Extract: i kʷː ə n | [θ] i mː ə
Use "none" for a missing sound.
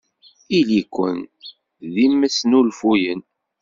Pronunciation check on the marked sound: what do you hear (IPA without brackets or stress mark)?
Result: ð